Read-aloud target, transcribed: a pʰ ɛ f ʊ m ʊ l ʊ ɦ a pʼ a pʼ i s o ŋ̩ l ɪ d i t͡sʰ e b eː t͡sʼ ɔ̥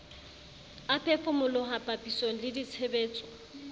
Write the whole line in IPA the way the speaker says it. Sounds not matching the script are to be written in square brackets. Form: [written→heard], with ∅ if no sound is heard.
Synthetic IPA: a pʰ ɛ f ʊ m ʊ l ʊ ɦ a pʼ a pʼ i s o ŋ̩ l ɪ d i t͡sʰ e b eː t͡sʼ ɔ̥

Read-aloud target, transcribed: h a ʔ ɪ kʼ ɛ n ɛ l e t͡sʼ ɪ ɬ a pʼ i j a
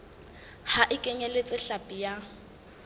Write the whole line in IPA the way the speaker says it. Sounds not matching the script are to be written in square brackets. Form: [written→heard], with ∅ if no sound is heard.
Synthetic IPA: h a ʔ ɪ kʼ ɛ [n→ɲ] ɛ l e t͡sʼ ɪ ɬ a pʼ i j a

